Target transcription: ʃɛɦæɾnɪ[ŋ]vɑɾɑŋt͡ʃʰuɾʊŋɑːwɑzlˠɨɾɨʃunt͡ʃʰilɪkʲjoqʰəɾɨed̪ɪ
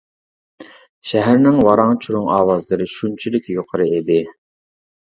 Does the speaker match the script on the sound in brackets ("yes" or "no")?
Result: yes